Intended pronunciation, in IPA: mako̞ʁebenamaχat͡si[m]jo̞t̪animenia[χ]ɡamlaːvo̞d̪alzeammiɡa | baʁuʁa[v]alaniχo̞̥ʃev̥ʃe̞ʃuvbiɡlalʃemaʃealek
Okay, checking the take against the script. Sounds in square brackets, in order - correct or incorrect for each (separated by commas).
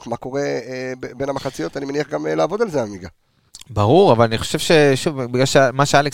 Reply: incorrect, correct, correct